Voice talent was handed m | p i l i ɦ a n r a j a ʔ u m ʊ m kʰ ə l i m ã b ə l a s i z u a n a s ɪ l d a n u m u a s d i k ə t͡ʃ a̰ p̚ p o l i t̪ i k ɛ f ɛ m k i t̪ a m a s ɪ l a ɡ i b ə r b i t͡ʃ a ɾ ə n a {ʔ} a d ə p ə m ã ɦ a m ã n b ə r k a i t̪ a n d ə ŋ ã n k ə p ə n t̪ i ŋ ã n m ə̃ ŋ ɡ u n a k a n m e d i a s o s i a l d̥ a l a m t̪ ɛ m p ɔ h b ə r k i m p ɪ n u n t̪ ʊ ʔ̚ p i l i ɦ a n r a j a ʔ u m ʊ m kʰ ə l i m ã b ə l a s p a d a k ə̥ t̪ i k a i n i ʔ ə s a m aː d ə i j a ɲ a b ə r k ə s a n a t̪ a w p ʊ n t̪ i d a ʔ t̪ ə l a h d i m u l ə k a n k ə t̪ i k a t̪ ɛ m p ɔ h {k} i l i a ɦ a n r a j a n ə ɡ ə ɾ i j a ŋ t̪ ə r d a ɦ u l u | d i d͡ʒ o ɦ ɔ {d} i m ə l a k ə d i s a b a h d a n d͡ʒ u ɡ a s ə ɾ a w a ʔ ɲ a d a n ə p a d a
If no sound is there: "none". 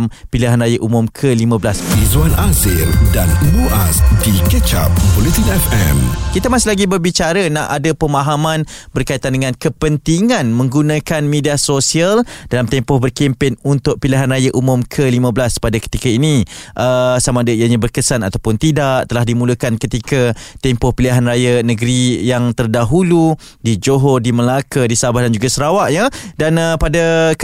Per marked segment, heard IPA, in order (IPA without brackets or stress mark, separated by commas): ʔ, p, d